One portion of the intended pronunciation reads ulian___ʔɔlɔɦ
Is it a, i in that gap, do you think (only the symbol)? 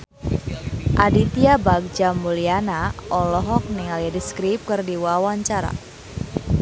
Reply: a